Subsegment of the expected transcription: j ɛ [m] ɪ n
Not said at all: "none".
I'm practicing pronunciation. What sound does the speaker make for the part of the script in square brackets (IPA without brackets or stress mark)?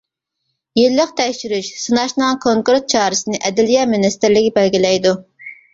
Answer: m